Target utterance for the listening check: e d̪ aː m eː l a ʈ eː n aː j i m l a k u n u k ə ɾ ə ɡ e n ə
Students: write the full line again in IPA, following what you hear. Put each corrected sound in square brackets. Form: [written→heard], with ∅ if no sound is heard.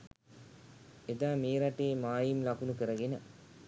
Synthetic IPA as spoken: e d̪ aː m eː [l→ɾ] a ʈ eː [n→m] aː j i m l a k u n u k ə ɾ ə ɡ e n ə